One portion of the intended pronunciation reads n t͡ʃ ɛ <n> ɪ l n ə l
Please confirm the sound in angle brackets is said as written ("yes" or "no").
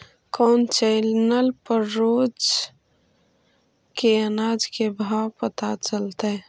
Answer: no